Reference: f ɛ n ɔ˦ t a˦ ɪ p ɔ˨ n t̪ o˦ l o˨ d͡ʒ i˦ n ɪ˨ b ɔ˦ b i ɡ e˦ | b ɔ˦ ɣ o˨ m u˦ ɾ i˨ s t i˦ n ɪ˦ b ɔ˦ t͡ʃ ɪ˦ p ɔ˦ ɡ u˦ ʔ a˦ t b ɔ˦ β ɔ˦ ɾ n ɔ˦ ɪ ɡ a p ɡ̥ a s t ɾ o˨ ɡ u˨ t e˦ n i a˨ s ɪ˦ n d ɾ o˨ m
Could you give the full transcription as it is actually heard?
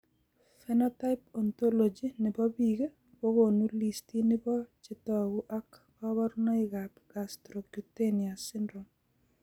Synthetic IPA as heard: f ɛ n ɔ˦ t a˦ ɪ p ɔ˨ n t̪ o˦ l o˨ d͡ʒ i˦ n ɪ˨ b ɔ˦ b i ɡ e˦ | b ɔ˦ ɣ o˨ n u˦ l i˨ s t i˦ n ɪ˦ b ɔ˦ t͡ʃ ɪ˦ t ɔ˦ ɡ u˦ ʔ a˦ k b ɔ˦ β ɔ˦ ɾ n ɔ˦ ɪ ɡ a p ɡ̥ a s t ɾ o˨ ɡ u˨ t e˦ n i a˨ s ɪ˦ n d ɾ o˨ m